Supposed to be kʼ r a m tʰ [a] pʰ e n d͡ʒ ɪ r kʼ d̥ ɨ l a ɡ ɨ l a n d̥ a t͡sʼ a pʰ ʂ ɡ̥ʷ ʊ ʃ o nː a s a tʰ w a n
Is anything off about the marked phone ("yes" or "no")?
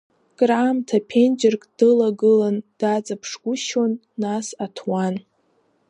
no